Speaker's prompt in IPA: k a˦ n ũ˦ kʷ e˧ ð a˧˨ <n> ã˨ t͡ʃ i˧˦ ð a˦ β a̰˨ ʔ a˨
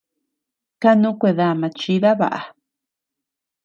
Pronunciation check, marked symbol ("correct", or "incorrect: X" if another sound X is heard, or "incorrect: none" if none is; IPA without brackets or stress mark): incorrect: m